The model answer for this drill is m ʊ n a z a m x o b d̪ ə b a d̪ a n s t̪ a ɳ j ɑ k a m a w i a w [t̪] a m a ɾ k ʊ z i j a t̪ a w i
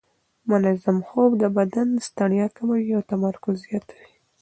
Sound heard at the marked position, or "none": t̪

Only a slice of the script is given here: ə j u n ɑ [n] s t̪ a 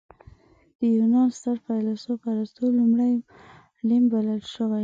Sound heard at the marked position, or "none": n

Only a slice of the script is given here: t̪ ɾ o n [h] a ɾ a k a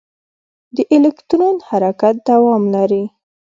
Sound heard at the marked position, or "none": h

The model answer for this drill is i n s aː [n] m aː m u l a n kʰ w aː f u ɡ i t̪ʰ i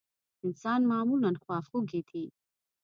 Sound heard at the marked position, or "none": n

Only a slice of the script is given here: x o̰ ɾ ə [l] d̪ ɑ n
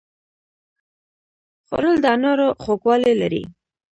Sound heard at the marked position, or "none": l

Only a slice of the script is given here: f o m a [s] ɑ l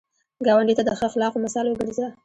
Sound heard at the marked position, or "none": s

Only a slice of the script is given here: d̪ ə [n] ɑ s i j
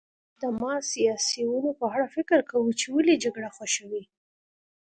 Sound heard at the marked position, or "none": m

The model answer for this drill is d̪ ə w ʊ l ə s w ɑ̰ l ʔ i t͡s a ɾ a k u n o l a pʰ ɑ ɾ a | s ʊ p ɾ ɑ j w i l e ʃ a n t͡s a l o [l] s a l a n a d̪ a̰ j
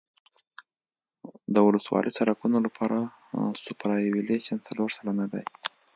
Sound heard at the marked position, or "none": ɾ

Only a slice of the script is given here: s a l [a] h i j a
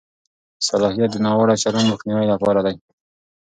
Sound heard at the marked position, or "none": ɑ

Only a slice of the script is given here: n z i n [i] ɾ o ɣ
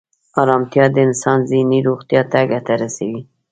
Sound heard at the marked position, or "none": i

